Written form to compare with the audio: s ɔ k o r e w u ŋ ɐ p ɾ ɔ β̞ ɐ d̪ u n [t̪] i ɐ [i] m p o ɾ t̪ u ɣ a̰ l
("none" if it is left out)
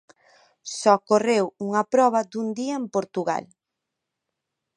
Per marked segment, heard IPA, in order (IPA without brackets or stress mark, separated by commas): d̪, e